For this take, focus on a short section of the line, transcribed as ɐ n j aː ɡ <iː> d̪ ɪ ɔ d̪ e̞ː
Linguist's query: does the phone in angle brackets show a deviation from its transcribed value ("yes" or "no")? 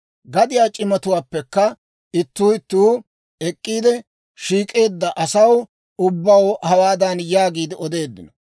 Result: no